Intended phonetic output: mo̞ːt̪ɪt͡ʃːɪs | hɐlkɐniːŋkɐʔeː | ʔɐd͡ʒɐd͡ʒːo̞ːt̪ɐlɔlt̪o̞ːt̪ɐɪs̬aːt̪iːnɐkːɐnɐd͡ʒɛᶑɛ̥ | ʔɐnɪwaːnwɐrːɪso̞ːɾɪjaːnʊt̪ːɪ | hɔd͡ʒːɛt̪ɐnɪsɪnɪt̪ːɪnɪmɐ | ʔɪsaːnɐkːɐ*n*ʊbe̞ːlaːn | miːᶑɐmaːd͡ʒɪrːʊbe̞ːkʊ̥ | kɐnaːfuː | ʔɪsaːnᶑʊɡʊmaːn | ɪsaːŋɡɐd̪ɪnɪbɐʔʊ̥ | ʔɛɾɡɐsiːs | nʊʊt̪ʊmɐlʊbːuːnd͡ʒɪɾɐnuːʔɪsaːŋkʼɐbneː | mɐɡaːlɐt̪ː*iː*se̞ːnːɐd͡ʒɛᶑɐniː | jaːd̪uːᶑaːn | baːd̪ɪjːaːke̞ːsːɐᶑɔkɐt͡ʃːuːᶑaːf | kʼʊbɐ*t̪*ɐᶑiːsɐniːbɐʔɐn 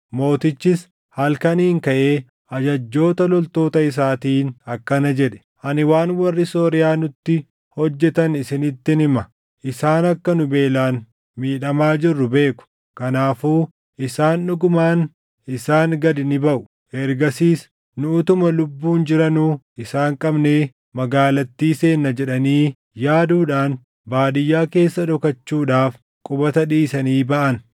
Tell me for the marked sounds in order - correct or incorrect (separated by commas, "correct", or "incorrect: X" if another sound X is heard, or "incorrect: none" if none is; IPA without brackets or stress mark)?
correct, correct, correct